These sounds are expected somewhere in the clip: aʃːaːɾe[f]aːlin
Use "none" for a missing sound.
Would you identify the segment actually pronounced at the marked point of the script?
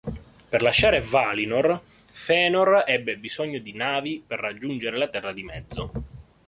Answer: v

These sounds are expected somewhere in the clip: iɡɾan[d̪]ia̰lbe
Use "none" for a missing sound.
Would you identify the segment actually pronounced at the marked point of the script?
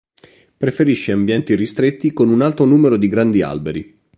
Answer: d̪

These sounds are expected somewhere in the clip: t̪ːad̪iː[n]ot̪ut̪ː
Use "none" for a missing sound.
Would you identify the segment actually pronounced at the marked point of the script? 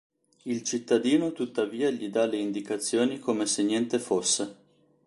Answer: n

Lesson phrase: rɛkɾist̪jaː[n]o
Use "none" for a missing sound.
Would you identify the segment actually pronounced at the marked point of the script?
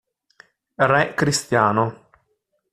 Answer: n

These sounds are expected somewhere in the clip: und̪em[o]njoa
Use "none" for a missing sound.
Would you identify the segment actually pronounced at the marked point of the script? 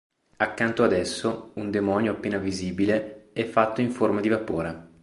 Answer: ɔ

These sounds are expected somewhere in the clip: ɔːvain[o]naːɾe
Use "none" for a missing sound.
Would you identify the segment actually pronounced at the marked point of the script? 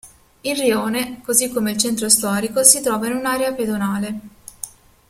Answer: u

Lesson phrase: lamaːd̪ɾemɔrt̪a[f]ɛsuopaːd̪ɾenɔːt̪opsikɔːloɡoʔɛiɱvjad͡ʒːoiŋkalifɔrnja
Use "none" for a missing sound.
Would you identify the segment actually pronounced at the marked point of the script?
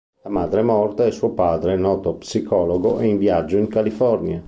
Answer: none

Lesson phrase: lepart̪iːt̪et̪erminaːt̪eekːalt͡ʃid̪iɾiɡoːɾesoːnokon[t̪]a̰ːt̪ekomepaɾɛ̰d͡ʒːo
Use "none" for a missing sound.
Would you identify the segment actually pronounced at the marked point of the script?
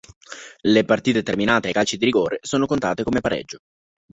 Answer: t̪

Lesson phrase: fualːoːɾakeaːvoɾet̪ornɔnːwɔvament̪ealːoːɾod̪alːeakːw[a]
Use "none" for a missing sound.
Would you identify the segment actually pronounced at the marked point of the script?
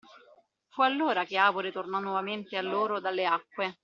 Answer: e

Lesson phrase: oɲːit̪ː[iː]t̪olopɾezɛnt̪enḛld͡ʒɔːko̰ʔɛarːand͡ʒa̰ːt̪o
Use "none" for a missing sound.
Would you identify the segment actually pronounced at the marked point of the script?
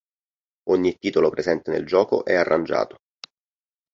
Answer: iː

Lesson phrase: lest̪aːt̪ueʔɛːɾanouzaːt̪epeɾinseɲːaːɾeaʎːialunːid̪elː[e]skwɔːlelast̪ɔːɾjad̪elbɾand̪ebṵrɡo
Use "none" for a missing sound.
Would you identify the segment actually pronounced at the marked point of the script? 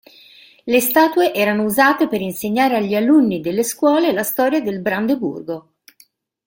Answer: e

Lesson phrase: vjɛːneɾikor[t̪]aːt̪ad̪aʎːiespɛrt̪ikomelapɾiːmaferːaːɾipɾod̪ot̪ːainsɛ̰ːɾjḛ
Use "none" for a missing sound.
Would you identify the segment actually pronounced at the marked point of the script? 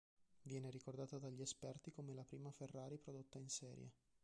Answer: d̪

